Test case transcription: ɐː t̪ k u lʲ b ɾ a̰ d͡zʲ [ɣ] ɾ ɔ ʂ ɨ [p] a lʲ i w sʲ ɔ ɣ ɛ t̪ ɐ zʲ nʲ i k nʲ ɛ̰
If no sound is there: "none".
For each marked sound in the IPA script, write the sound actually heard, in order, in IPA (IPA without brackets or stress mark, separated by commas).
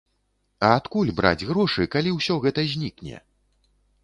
ɣ, k